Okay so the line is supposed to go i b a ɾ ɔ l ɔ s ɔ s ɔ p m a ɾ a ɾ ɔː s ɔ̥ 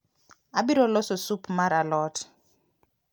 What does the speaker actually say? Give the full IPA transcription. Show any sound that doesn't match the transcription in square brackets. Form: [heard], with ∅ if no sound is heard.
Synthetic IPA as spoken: [a] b [i] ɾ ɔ l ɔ s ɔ s [u] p m a ɾ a [l] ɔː [t] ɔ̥